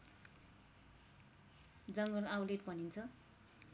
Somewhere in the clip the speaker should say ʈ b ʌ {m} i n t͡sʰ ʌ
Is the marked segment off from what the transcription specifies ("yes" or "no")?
yes